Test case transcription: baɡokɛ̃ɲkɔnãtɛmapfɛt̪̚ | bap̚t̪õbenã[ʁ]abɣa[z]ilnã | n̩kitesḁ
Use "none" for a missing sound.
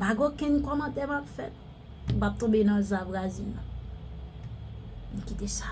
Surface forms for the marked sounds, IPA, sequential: z, z

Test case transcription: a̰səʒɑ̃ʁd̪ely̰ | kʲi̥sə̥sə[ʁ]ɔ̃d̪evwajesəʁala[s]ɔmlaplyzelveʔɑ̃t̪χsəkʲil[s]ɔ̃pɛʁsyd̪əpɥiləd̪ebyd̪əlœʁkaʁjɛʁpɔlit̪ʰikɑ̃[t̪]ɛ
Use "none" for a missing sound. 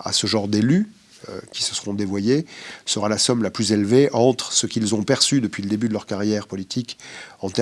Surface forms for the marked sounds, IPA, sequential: ʁ, s, z, t̪

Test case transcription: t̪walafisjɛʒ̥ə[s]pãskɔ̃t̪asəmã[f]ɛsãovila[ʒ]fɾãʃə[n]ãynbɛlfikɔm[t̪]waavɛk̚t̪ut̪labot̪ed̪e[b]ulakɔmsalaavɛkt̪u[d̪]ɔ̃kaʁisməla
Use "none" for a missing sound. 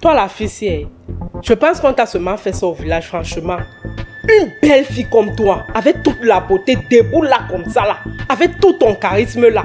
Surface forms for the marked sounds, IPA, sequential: none, f, ʒ, m, t̪, b, t̪

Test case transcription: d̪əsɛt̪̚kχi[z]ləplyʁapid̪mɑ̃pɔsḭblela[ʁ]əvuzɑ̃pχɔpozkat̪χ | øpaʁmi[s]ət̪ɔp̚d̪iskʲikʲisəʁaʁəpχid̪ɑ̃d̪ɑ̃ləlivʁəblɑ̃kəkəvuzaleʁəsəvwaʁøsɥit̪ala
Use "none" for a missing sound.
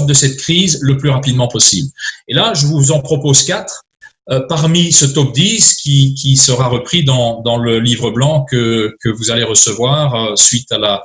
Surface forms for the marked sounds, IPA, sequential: z, ʒ, s

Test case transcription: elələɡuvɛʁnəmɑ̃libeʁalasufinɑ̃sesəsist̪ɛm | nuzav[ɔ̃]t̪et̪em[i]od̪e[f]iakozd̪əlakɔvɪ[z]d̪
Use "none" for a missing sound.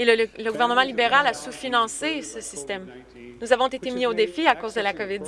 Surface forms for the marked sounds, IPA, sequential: ɔ̃, i, f, none

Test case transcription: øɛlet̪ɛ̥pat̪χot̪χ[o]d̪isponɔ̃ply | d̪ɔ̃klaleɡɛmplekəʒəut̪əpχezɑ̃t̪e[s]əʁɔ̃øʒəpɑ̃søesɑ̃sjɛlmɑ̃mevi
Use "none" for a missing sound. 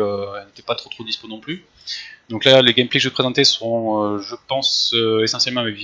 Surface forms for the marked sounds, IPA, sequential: o, s

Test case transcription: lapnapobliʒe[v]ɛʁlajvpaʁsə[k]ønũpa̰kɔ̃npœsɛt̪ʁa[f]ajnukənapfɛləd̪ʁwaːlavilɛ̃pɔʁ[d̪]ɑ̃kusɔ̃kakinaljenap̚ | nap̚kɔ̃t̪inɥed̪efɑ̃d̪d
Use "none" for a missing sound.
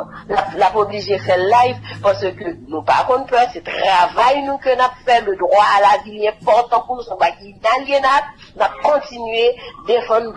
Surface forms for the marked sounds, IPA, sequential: f, k, v, t̪

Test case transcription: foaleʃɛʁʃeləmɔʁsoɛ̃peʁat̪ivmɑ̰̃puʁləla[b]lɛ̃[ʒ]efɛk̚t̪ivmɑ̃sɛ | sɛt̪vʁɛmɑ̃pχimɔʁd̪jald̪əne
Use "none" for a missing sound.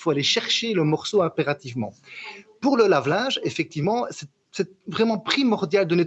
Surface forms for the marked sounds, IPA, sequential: v, ʒ

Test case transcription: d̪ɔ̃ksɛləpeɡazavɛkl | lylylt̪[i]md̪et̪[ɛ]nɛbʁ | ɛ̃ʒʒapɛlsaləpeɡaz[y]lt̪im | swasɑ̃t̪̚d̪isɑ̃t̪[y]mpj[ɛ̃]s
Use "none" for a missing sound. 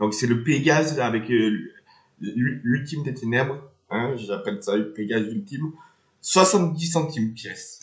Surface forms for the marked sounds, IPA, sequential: i, e, y, i, ɛ

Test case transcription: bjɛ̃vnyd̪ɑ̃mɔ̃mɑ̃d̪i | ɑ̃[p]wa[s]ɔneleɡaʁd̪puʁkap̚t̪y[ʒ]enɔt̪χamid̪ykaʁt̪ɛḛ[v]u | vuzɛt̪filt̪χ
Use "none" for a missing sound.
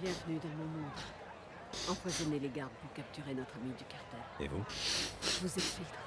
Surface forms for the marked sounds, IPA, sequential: p, z, ʁ, v

